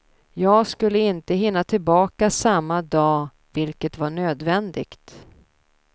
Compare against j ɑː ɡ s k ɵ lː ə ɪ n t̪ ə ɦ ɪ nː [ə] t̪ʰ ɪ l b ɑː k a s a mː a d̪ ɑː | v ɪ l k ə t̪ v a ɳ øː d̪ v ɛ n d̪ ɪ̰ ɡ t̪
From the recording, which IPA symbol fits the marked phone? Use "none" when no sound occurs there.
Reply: a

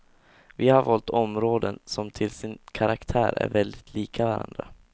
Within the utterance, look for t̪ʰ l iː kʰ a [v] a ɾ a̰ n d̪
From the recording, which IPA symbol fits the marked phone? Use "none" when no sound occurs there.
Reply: v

